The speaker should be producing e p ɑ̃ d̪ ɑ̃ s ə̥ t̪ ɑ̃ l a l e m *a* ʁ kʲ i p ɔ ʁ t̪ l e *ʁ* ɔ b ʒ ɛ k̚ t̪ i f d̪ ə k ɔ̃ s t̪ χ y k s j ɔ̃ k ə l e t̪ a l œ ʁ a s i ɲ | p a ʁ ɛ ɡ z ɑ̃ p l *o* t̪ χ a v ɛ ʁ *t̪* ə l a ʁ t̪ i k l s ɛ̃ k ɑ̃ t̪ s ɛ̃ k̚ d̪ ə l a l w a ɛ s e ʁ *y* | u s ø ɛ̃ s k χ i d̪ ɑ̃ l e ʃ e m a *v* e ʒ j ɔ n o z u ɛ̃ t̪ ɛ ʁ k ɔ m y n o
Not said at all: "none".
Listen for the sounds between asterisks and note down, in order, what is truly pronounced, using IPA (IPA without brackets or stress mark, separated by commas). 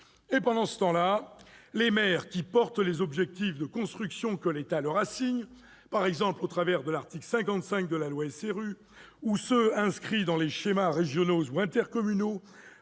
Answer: ɛ, z, o, d̪, y, ʁ